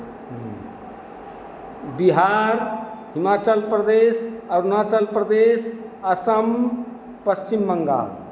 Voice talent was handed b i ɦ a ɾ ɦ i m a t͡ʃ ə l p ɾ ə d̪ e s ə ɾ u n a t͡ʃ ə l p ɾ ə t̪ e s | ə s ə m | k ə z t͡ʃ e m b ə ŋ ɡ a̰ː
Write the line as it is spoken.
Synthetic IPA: b i ɦ a ɾ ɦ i m a t͡ʃ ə l p ɾ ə d̪ e s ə ɾ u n a t͡ʃ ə l p ɾ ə d̪ e s | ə s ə m | p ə s t͡ʃ i m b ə ŋ ɡ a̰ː

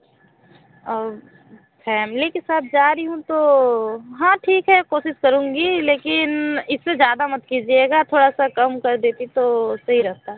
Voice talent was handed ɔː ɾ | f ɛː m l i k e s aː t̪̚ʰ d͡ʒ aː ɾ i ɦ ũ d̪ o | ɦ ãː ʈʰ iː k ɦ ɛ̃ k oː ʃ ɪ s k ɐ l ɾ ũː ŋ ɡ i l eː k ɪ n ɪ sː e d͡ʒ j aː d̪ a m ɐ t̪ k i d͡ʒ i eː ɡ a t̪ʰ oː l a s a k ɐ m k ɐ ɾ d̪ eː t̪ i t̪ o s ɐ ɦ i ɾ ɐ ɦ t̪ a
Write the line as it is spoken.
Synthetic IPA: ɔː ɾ | f ɛː m l i k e s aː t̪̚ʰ d͡ʒ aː ɾ i ɦ ũ t̪ o | ɦ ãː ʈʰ iː k ɦ ɛ k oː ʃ ɪ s k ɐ ɾ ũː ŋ ɡ i l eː k ɪ n ɪ sː e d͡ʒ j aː d̪ a m ɐ t̪ k i d͡ʒ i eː ɡ a t̪ʰ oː ɽ a s a k ɐ m k ɐ ɾ d̪ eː t̪ i t̪ o s ɐ ɦ i ɾ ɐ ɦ t̪ a

